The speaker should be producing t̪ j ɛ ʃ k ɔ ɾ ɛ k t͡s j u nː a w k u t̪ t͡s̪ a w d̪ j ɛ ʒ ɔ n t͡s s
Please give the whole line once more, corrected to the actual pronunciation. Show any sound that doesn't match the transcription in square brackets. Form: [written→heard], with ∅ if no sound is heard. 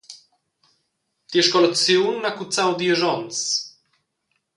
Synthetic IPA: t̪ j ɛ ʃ k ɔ [ɾ→l] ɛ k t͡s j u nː a [w→∅] k u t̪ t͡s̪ a w d̪ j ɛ ʒ ɔ n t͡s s